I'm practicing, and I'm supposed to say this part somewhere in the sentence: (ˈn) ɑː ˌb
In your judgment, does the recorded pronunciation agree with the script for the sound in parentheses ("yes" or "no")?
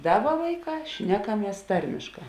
no